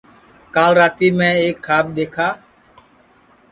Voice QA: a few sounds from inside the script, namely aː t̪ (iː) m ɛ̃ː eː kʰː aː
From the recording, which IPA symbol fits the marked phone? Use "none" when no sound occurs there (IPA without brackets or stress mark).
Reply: iː